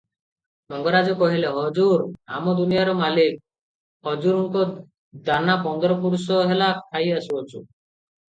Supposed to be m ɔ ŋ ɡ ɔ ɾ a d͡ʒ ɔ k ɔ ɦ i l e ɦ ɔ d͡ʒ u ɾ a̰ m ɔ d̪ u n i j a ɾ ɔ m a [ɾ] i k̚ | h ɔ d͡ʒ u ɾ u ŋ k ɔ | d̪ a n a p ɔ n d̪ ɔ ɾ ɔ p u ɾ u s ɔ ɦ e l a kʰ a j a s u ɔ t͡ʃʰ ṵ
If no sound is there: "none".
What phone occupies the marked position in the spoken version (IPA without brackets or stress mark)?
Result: l